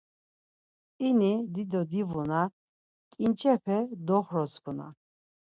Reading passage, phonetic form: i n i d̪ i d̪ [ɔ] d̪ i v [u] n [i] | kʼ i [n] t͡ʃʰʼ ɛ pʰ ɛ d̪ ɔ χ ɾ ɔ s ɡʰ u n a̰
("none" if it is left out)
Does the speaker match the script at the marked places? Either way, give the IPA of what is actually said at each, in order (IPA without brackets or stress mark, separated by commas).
ɔ, u, a, n